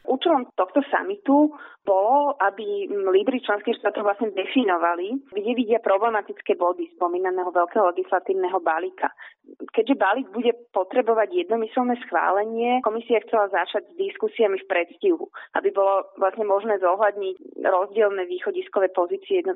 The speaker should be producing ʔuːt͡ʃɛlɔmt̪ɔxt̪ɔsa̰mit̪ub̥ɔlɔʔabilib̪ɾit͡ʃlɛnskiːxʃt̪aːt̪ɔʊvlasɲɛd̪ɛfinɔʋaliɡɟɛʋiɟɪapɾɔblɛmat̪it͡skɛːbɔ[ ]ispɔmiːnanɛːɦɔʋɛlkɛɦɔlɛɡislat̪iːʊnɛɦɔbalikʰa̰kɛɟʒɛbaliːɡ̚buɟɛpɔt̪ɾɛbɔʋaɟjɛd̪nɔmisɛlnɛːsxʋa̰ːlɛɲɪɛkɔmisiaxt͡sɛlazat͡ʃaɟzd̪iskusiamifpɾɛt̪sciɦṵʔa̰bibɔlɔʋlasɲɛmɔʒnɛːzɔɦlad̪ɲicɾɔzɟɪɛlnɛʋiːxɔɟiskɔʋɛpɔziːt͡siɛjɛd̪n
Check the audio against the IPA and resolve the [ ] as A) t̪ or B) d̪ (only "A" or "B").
B